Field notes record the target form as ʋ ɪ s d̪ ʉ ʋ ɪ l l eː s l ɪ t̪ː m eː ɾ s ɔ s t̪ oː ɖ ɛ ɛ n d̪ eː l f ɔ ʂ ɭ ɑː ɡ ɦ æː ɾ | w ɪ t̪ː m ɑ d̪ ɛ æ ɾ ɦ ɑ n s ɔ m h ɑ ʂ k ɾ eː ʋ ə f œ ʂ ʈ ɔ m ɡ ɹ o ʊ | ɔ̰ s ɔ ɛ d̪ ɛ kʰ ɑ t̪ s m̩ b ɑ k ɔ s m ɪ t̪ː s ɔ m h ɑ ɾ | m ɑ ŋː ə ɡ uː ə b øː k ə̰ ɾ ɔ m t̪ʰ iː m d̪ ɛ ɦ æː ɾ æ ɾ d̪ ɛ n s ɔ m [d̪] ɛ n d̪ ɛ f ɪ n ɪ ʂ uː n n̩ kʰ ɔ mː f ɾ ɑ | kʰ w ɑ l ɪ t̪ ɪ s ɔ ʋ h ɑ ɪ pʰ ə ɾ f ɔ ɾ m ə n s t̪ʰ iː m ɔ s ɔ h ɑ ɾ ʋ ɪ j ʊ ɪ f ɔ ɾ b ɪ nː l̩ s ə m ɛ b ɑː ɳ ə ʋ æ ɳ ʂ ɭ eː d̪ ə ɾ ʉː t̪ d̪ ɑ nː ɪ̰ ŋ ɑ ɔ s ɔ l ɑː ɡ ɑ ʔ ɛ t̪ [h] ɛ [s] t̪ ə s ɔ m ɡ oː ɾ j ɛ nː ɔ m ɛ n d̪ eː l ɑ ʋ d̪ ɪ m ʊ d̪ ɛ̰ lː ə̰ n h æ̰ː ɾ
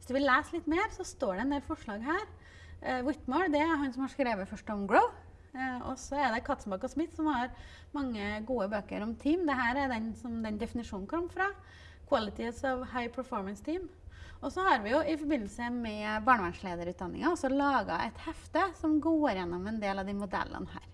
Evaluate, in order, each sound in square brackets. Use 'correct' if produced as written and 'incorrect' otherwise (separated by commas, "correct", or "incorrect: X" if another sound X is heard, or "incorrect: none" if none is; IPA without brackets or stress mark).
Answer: correct, correct, incorrect: f